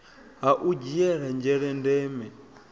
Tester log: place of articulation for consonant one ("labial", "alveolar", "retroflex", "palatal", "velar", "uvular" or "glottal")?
glottal